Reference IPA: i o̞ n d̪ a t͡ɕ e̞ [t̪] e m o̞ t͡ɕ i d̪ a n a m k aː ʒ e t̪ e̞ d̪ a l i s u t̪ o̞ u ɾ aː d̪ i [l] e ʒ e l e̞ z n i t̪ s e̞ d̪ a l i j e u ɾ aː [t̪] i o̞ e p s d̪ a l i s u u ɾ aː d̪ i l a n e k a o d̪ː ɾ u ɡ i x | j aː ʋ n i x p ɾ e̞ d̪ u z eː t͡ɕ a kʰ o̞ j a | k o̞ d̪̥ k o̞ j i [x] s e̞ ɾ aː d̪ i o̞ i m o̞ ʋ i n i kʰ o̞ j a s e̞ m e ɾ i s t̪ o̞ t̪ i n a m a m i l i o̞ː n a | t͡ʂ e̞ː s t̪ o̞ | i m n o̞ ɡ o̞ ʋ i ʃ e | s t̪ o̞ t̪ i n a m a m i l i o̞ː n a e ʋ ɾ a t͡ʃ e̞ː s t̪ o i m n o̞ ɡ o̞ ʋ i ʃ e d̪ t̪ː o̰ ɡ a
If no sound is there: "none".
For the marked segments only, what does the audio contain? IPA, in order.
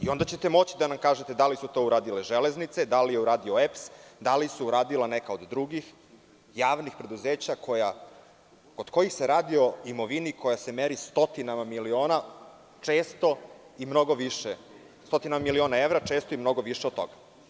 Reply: t̪, l, d̪, x

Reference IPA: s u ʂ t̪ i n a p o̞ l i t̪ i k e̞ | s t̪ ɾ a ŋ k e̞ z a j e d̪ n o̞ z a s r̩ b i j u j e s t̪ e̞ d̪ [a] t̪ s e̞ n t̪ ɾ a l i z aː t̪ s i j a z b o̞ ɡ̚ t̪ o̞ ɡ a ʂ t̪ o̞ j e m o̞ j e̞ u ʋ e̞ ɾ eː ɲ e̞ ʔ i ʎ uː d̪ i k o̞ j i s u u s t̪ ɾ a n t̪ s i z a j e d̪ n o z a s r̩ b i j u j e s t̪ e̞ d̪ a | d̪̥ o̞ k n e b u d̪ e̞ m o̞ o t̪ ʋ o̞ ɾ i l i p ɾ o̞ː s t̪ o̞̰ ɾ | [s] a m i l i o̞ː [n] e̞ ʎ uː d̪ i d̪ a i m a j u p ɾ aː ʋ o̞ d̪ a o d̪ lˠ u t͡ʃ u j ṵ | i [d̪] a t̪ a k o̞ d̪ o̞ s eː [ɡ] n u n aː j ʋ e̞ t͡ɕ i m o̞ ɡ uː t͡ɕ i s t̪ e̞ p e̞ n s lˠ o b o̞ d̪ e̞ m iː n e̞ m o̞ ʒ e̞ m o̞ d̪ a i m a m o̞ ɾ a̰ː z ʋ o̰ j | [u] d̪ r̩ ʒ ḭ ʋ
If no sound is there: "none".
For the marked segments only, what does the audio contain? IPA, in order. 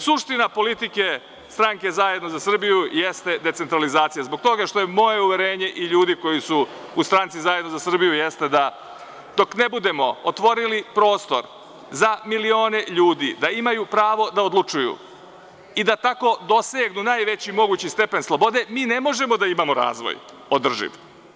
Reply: e, z, n, d̪, ɡ, o

